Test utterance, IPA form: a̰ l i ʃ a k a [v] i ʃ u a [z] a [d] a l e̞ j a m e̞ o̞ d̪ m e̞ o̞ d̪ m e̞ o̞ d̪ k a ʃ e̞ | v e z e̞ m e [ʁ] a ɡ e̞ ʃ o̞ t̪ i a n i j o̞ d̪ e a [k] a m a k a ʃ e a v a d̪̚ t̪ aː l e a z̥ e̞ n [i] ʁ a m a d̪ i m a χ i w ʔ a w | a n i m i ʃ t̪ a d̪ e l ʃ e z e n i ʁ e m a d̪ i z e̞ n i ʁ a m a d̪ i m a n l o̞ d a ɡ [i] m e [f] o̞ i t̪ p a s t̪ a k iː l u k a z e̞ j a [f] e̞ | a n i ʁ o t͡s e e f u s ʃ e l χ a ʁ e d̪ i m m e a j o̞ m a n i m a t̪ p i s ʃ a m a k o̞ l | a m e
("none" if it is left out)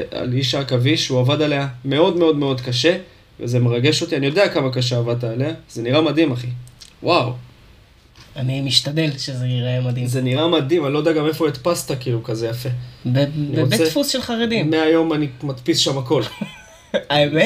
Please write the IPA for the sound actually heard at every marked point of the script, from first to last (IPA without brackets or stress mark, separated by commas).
v, v, d, ʁ, k, i, a, f, f